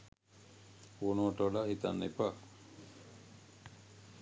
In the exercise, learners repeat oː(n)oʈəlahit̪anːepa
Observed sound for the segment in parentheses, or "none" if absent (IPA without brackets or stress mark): n